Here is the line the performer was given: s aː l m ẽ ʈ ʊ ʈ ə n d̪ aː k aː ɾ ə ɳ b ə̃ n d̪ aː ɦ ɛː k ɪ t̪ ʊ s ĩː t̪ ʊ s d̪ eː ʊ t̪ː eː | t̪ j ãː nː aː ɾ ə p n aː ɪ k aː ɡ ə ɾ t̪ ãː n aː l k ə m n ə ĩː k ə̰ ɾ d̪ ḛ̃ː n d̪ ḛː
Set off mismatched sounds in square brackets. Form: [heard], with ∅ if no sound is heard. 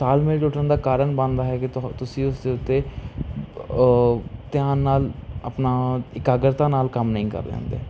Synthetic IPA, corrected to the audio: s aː l m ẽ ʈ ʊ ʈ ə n d̪ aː k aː ɾ ə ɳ b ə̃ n d̪ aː ɦ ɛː k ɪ t̪ ʊ s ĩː [∅] ʊ s d̪ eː ʊ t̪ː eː | t̪ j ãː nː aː [l] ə p n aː ɪ k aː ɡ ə ɾ t̪ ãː n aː l k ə m n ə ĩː k ə̰ ɾ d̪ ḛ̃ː n d̪ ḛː